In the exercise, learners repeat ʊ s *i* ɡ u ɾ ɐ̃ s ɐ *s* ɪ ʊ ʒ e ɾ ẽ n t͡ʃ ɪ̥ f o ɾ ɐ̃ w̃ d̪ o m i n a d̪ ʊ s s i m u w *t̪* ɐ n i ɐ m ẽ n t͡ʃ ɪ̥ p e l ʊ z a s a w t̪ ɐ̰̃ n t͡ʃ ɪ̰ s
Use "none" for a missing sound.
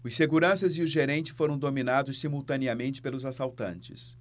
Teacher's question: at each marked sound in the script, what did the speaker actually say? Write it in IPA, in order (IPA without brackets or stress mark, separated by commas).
e, z, t̪